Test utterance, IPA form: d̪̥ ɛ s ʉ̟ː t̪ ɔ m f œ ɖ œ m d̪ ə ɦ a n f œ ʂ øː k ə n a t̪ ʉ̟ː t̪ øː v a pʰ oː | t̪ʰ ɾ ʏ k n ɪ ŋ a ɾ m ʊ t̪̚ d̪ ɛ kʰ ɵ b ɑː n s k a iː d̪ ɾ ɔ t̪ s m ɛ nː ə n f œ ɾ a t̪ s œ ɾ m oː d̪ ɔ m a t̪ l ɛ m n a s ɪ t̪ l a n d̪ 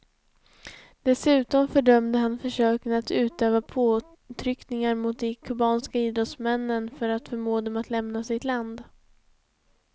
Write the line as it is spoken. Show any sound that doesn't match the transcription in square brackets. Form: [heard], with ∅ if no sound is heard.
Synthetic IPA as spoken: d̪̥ ɛ s ʉ̟ː t̪ ɔ m f œ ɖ œ m d̪ ə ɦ a n f œ ʂ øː k ə n a t̪ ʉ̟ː t̪ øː v a pʰ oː | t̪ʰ ɾ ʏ k n ɪ ŋ a ɾ m ʊ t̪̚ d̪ ɛ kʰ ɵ b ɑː n s k a iː d̪ ɾ ɔ t̪ s m ɛ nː ə n f œ ɾ a t̪ [f] œ ɾ m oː d̪ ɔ m a t̪ l ɛ m n a s ɪ t̪ l a n d̪